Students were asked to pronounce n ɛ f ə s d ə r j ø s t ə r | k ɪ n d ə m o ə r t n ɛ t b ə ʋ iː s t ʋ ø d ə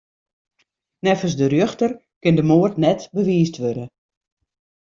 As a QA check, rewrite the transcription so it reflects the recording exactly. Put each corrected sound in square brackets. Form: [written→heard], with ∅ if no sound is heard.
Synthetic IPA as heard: n ɛ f ə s d ə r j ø [s→x] t ə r | k ɪ n d ə m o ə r t n ɛ t b ə ʋ iː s t ʋ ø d ə

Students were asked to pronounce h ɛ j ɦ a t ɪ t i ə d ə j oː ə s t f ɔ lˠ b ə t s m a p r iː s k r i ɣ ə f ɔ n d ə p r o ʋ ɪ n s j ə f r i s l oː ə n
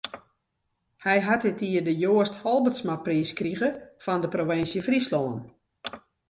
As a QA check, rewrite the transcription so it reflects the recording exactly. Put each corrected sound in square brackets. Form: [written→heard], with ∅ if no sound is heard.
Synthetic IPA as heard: h ɛ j ɦ a t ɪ t i ə d ə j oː ə s t [f→h] ɔ lˠ b ə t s m a p r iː s k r i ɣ ə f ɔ n d ə p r o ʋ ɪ n s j ə f r i s l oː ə n

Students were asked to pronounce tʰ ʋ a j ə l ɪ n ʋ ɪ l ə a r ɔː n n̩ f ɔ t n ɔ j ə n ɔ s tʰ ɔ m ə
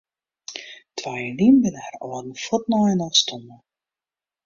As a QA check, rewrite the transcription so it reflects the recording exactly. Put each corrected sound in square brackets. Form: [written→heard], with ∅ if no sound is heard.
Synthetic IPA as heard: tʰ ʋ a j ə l [ɪ→i] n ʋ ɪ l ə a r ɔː [n→d] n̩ f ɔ t n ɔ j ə n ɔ s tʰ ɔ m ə

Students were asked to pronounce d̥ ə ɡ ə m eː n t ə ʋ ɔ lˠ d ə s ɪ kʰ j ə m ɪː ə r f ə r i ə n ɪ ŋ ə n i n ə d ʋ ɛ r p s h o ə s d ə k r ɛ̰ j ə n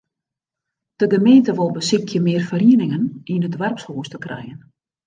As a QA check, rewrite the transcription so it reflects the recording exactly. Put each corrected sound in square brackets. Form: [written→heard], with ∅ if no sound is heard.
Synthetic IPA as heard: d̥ ə ɡ ə m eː n t ə ʋ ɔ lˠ [d→b] ə s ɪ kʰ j ə m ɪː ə r f ə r i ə n ɪ ŋ ə n i n ə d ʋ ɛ r p s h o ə s [d→t] ə k r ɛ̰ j ə n

